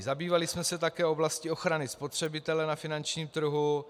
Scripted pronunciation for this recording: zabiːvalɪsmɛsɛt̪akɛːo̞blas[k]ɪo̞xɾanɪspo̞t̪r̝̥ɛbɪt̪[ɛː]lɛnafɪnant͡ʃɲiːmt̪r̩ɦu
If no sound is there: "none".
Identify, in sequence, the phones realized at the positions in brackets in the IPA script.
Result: c, ɛ

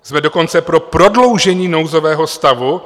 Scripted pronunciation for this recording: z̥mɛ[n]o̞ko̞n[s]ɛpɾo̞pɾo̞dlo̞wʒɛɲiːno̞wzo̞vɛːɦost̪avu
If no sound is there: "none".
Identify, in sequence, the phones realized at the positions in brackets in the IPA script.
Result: d, t͡s

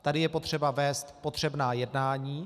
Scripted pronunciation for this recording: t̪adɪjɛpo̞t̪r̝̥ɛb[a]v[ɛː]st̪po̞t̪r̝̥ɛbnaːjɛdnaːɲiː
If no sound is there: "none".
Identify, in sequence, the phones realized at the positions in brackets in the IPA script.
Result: a, ɛː

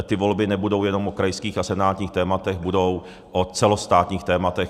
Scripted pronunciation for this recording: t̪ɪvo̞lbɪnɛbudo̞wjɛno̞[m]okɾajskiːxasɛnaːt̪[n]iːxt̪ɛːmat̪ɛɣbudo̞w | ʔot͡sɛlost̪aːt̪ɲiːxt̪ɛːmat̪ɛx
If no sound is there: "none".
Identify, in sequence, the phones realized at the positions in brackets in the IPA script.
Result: m, ɲ

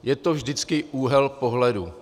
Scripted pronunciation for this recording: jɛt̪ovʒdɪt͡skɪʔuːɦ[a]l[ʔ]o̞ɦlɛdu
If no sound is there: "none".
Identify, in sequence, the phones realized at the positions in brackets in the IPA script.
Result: ɛ, p

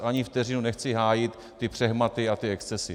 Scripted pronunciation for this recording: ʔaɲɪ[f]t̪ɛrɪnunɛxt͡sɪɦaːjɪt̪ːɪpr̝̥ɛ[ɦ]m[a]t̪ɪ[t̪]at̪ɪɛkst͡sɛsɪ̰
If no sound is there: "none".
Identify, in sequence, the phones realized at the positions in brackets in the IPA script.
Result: f, ɦ, a, none

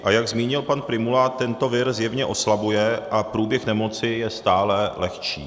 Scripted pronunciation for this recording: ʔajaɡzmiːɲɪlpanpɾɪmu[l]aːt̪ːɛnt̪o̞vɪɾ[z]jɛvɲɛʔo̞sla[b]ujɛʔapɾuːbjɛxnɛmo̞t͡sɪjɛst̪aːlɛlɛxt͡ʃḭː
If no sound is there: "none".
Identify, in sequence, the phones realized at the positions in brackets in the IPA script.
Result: l, z, b

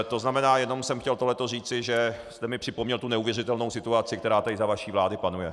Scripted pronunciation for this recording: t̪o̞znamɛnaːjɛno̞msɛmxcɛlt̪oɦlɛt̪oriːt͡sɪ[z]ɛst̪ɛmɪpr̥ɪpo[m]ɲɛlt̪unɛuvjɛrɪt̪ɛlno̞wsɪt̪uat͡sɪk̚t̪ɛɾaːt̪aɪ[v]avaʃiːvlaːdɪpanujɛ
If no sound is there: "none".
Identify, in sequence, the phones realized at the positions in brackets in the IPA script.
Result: ʒ, m, z

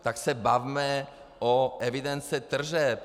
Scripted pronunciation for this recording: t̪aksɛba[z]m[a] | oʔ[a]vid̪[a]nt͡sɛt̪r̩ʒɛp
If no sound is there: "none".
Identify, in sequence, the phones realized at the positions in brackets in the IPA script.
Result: v, ɛ, ɛ, ɛ

